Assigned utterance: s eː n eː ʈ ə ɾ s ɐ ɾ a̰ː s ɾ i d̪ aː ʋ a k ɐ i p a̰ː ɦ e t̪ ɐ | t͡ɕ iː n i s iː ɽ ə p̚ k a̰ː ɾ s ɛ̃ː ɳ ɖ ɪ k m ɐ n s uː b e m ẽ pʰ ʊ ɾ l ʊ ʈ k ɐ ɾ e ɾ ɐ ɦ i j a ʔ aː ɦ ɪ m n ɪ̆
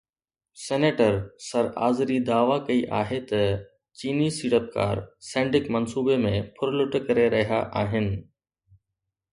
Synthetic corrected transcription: s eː n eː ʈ ə ɾ s ɐ ɾ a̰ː z ɾ i d̪ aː ʋ a k ɐ i ʔ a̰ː ɦ e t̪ ɐ | t͡ɕ iː n i s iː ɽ ə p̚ k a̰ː ɾ s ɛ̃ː ɳ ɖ ɪ k m ɐ n s uː b e m ẽ pʰ ʊ ɾ l ʊ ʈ k ɐ ɾ e ɾ ɐ ɦ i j a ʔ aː ɦ ɪ n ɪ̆